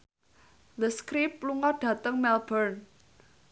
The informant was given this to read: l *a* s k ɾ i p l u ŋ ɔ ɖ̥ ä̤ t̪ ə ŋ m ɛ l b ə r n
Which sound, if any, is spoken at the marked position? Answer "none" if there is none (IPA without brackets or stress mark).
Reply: ə